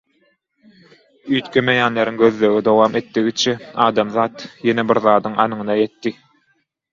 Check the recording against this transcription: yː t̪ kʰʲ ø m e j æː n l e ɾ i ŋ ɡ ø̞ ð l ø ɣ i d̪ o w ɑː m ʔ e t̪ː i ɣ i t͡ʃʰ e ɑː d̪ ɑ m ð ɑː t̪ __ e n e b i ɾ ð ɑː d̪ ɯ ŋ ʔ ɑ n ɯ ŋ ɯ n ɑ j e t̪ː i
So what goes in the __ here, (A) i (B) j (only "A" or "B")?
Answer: B